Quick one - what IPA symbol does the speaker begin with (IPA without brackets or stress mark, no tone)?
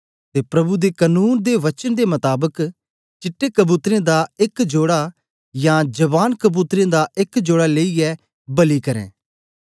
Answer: t̪